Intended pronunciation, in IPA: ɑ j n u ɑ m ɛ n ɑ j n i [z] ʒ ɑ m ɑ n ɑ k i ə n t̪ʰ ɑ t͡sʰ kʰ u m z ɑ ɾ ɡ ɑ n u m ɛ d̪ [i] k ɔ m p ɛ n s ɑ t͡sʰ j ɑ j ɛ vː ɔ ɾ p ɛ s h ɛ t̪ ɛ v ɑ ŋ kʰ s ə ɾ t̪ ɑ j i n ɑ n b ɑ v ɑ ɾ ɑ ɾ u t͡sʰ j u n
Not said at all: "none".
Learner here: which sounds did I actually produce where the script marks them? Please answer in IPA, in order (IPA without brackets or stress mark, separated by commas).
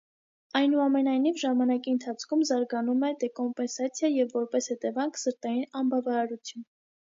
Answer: v, ɛ